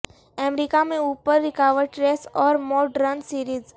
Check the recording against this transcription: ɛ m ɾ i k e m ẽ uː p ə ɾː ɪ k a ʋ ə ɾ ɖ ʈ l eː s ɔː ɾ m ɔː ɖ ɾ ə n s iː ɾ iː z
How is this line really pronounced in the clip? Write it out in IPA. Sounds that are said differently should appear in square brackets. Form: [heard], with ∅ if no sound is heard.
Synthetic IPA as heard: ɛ m ɾ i k [a] m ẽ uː p ə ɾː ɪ k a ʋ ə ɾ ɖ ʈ [ɾ] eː s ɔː ɾ m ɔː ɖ ɾ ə n s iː ɾ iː z